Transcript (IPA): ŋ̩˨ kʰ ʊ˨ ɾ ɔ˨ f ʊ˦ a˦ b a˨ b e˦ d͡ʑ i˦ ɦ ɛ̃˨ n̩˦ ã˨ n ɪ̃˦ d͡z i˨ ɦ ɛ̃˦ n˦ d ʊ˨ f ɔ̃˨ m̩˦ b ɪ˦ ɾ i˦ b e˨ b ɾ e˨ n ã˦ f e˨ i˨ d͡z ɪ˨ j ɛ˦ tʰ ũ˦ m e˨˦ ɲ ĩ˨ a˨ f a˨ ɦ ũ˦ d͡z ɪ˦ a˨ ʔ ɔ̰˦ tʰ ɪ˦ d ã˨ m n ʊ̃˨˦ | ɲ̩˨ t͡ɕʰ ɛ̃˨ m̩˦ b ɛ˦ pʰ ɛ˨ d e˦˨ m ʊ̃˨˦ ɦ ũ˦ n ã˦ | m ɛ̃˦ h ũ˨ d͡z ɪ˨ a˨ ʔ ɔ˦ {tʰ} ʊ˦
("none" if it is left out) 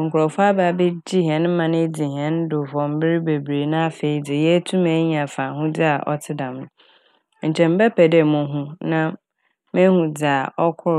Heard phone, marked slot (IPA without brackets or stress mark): kʰ